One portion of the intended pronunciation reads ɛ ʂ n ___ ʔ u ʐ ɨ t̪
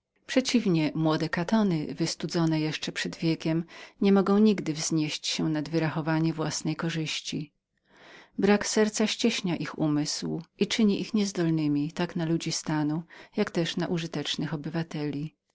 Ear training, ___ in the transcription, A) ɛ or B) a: B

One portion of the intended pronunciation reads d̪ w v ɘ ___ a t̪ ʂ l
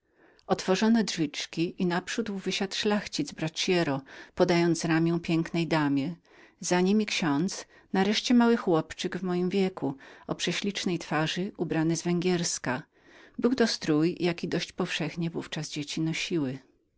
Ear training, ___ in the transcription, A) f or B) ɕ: B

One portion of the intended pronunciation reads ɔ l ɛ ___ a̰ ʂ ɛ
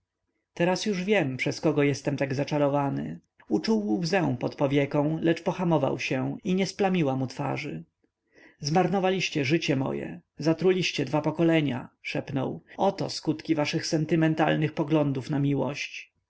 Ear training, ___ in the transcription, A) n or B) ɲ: B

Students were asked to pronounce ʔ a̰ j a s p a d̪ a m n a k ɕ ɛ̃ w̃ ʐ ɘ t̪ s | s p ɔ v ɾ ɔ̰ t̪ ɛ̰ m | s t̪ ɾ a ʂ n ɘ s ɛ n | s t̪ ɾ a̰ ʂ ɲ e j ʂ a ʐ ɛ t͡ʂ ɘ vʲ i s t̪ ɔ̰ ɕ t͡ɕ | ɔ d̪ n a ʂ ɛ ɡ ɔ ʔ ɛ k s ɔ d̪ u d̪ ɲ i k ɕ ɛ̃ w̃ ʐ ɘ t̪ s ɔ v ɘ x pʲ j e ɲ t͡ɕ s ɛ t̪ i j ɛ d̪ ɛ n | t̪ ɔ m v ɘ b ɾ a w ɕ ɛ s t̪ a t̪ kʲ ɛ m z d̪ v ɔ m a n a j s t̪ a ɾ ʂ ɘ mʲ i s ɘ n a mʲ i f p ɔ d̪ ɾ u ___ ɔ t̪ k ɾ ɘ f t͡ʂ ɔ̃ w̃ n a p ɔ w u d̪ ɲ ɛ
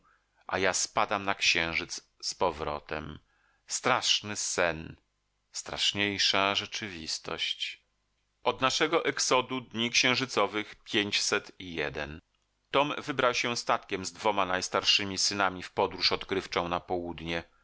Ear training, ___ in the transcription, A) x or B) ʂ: B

